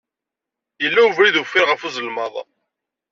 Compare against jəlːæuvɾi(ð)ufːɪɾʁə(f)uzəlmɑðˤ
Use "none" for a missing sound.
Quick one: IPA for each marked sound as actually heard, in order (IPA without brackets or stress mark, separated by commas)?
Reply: ð, f